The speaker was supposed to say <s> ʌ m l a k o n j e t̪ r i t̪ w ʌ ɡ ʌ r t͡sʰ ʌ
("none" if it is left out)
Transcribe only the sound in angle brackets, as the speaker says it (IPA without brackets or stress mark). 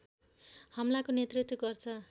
h